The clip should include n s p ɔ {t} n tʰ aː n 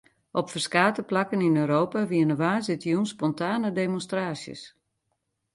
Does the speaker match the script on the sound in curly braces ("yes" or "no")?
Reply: no